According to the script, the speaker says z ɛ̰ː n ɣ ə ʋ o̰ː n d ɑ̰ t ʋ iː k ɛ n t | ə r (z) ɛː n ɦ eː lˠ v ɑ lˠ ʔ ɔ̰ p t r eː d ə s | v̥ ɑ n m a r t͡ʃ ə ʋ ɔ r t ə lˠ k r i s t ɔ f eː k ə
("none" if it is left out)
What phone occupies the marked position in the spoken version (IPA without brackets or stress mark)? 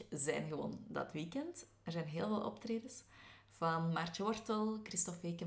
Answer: z